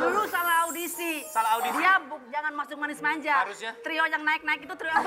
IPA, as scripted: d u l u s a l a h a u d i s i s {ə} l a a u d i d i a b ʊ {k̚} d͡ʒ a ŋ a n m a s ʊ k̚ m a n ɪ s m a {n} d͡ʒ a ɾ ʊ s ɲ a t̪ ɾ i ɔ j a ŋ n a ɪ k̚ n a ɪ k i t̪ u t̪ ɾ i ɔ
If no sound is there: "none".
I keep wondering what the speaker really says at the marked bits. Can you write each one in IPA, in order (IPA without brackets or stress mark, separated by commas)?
a, k̚, ɲ